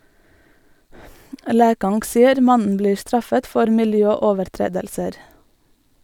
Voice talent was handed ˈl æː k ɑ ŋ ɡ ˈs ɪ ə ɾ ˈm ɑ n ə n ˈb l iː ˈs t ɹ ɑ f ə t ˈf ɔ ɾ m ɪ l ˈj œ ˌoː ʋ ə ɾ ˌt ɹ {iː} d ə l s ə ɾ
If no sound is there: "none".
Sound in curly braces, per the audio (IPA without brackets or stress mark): eː